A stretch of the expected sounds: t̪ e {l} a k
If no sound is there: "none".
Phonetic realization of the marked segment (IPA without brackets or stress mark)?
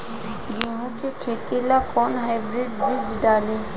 l